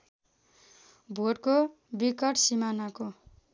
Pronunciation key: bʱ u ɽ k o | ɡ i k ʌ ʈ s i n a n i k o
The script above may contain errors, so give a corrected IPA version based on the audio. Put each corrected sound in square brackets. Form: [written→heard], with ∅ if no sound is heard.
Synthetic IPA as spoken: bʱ [u→o] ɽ k o | [ɡ→b] i k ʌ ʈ s i [n→m] a n [i→a] k o